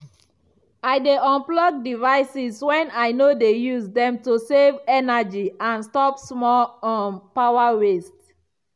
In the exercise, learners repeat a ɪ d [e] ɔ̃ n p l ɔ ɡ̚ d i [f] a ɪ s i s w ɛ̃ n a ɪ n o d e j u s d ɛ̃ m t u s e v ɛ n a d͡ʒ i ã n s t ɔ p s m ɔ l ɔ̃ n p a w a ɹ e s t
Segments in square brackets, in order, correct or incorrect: correct, incorrect

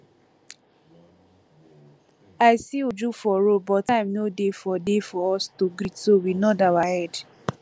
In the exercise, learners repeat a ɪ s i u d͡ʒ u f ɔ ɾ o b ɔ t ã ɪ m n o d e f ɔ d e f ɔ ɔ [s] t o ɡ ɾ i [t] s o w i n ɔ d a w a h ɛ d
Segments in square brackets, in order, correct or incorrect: correct, correct

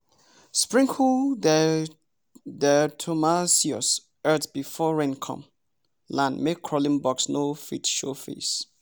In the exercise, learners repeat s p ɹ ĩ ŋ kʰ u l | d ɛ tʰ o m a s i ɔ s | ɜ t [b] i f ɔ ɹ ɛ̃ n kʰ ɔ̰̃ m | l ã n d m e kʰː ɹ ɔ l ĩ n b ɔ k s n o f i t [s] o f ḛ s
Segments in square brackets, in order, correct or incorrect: correct, incorrect

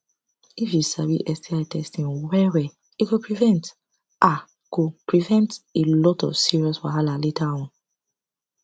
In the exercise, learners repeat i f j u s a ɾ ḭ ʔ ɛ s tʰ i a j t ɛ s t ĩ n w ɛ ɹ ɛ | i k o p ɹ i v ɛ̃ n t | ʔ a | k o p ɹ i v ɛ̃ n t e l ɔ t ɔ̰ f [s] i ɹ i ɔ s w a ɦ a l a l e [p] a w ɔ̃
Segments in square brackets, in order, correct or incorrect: correct, incorrect

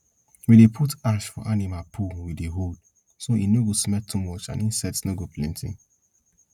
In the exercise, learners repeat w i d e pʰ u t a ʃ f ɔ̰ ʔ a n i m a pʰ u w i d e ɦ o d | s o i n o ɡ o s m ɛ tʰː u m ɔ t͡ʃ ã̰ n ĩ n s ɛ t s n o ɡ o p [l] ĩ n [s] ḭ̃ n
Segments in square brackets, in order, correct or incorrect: correct, incorrect

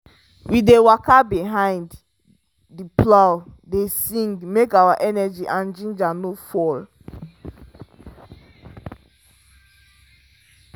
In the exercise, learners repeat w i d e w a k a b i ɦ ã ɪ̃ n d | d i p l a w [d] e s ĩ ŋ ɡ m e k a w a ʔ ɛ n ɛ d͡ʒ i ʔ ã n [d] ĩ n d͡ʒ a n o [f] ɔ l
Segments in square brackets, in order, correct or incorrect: correct, incorrect, correct

